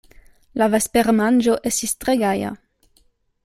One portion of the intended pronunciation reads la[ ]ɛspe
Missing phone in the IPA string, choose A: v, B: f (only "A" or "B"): A